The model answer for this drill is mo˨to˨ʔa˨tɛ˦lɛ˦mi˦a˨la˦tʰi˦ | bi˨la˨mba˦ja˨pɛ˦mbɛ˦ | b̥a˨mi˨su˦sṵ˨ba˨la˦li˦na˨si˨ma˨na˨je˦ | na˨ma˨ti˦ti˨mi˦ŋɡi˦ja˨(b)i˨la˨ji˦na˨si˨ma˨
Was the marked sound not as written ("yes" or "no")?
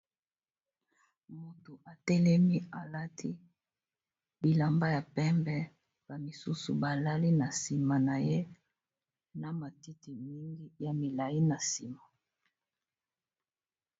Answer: yes